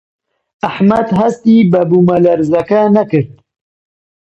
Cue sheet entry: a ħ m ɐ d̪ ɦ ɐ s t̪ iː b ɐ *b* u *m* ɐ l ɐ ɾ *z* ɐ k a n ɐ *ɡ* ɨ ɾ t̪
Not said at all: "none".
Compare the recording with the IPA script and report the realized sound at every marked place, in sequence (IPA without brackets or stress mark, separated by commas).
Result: b, m, z, k